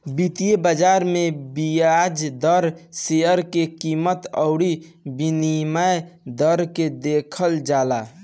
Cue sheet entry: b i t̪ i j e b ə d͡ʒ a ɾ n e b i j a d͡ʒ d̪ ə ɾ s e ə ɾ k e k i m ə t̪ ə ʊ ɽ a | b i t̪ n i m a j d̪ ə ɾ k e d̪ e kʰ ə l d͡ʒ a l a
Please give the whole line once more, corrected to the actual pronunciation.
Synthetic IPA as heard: b i t̪ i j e b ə d͡ʒ a ɾ m e b i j a d͡ʒ d̪ ə ɾ s e ə ɾ k e k i m ə t̪ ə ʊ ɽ i | b i n i m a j d̪ ə ɾ k e d̪ e kʰ ə l d͡ʒ a l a